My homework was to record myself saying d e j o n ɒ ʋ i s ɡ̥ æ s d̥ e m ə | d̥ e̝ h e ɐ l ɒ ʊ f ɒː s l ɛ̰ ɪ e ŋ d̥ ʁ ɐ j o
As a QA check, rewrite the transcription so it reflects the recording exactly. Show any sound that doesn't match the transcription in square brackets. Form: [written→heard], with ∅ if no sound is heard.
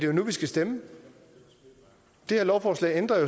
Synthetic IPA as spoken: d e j o n [ɒ→u] ʋ i s ɡ̥ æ s d̥ e m ə | d̥ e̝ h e ɐ l ɒ ʊ f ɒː s l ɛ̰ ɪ e [ŋ→n] d̥ ʁ ɐ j o